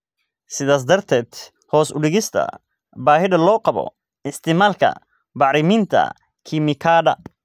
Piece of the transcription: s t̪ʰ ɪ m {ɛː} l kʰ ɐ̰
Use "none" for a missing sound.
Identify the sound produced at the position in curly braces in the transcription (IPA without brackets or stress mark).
aː